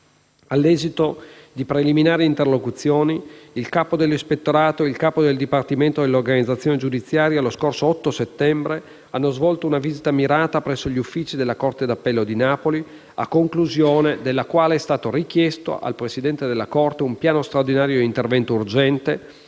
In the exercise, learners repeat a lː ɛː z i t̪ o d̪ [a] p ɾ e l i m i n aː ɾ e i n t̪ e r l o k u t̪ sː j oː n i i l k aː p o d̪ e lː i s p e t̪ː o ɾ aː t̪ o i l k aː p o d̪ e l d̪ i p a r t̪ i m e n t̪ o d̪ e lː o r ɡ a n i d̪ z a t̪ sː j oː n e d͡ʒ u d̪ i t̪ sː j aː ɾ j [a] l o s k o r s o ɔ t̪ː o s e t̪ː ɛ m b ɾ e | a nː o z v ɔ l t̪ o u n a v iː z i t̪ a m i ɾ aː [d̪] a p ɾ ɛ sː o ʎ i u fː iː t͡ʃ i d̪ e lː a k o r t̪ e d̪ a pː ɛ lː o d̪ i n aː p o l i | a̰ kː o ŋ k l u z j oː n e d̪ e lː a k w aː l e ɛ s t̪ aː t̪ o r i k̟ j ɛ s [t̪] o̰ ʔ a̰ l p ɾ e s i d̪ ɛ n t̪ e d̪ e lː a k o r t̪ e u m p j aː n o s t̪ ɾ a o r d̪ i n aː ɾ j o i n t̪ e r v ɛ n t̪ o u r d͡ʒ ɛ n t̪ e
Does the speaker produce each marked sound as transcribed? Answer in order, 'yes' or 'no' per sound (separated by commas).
no, yes, no, yes